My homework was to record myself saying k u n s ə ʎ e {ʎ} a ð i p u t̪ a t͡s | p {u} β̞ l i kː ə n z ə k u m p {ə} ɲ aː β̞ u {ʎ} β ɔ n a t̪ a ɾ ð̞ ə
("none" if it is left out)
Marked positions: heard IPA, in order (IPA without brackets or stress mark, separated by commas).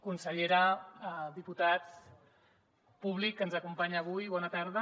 ɾ, u, a, j